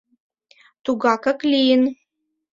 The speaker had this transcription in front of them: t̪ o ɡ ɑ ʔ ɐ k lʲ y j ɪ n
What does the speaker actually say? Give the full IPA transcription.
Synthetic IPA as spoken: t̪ u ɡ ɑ k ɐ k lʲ i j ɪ n